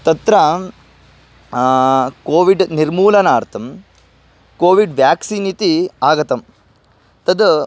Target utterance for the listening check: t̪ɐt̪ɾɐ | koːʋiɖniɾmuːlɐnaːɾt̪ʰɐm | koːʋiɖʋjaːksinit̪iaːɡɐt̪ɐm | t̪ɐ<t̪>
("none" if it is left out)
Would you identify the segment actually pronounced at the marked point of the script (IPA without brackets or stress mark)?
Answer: d̪